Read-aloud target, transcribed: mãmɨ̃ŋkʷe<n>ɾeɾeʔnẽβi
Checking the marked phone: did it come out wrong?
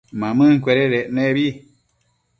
yes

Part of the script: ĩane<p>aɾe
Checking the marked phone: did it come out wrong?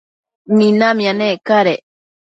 yes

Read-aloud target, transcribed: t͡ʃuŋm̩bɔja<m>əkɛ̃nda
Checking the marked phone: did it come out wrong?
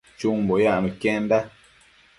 no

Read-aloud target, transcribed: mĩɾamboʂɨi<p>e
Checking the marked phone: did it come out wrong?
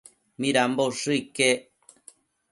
yes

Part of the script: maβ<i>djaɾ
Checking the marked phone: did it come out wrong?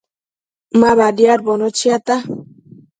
yes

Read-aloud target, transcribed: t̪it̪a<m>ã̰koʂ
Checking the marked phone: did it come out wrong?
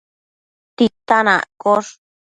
yes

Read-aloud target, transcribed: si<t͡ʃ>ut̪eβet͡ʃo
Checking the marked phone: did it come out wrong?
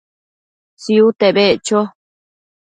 yes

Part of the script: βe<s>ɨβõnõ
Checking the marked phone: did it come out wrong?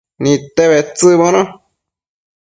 yes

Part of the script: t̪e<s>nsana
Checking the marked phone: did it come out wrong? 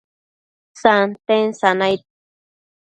yes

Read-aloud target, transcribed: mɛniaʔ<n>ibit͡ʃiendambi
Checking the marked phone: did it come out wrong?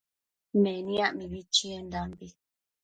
yes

